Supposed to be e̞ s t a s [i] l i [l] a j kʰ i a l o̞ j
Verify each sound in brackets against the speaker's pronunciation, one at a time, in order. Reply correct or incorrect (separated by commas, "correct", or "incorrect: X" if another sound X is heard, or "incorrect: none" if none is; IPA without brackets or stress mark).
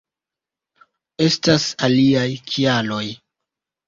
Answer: incorrect: a, incorrect: none